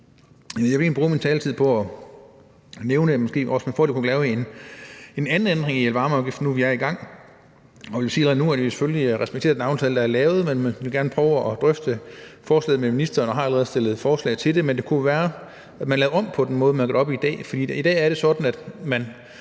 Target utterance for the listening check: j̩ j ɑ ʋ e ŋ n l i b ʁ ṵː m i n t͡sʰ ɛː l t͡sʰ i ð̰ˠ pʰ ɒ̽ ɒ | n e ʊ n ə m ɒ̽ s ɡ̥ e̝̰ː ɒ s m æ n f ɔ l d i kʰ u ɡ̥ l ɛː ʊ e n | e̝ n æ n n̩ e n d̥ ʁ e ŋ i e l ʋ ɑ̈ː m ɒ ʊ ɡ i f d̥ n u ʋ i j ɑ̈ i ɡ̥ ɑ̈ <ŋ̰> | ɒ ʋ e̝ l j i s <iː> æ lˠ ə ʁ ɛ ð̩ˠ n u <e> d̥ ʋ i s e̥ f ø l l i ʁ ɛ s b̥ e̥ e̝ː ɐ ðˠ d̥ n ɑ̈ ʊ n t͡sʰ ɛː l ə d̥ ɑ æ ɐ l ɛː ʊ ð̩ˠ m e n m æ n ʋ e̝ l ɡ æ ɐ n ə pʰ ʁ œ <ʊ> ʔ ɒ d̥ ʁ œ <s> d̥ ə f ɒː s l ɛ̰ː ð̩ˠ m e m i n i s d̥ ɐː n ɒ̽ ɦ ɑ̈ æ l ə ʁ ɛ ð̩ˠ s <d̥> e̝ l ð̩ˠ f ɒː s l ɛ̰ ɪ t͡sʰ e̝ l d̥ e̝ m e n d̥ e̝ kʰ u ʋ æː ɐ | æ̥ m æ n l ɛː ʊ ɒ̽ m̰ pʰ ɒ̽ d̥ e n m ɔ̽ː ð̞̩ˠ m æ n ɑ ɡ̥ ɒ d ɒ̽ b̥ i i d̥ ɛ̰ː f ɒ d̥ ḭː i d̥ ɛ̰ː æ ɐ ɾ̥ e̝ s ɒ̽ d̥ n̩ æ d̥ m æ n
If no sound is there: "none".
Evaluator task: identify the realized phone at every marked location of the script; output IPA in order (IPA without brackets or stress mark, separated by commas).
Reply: ŋ̰, iː, æ, ʊ, f, d̥